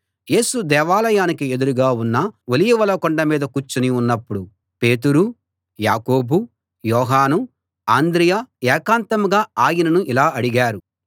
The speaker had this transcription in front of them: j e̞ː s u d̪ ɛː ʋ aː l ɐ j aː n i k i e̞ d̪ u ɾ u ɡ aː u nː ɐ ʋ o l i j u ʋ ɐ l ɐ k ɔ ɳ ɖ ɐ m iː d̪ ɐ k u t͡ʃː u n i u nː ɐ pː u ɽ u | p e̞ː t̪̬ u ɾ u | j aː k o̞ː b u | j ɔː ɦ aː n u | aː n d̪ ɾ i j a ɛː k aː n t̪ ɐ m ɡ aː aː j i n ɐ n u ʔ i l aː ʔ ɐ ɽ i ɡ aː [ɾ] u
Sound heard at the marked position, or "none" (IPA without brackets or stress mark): ɾ